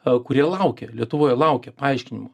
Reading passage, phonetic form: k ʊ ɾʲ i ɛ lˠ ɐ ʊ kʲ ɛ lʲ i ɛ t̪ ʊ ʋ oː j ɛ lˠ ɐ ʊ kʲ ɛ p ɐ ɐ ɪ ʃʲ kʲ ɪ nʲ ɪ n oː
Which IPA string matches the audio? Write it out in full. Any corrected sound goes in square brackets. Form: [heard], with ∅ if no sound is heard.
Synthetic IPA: k ʊ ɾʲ i ɛ lˠ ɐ ʊ kʲ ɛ lʲ i ɛ t̪ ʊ ʋ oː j ɛ lˠ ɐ ʊ kʲ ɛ p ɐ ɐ ɪ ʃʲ kʲ ɪ nʲ ɪ [m] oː